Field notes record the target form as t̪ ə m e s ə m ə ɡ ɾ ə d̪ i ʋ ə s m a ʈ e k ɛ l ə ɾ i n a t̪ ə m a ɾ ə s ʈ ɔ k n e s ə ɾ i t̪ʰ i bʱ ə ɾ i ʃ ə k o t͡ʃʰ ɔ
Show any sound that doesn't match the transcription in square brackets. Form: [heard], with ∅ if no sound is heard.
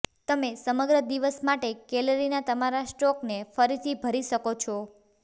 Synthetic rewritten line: t̪ ə m e s ə m ə ɡ ɾ ə d̪ i ʋ ə s m a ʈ e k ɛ l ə ɾ i n a t̪ ə m a ɾ [a] s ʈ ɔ k n e [f] ə ɾ i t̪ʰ i bʱ ə ɾ i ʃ ə k o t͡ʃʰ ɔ